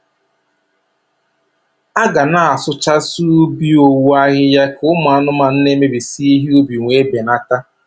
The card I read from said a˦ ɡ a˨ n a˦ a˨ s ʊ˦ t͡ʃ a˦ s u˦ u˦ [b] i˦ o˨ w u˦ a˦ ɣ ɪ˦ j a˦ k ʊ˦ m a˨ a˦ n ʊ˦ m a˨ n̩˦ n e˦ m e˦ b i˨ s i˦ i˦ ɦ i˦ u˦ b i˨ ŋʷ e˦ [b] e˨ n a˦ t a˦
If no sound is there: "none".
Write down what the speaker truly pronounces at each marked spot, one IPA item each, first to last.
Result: b, b

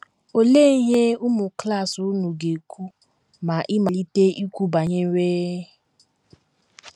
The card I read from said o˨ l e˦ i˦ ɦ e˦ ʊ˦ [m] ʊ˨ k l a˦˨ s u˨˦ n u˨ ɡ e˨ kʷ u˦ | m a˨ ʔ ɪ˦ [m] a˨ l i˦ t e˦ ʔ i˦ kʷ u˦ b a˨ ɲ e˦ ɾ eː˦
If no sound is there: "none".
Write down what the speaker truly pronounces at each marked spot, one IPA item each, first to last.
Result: m, m

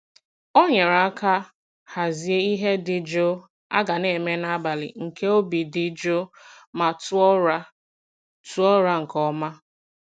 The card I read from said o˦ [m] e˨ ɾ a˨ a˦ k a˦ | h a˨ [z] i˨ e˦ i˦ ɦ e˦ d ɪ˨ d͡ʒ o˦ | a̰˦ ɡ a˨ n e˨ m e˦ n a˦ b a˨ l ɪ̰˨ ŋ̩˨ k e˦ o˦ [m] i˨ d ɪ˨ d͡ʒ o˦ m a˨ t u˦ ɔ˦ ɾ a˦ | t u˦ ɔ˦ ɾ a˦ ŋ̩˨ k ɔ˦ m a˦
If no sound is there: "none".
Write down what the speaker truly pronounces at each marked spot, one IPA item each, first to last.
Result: ɲ, z, b

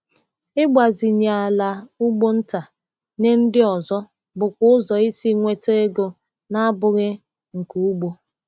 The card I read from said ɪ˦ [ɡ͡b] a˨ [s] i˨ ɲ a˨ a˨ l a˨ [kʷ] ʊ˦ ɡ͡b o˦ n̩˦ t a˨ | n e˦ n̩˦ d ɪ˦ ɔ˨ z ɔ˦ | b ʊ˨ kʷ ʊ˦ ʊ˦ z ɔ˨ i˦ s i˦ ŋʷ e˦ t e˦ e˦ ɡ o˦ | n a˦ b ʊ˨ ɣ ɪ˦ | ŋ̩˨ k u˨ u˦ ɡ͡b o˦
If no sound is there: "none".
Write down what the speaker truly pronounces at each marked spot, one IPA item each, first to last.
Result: ɡ͡b, z, none

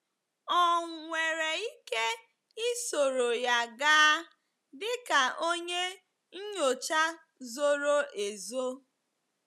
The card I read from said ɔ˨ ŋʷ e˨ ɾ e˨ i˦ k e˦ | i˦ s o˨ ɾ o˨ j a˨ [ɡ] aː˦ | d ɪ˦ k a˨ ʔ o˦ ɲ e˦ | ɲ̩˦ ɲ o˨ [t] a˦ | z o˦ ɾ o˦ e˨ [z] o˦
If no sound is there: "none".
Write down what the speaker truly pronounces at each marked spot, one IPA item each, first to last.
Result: ɡ, t͡ʃ, z

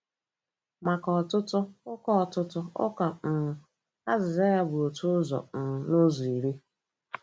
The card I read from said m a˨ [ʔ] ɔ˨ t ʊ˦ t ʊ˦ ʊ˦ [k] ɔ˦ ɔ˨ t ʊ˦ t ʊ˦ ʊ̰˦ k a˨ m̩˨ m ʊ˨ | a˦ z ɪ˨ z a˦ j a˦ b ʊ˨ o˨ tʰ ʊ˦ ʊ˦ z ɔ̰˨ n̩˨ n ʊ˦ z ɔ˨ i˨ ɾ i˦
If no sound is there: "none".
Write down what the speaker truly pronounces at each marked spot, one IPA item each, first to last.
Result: k, k

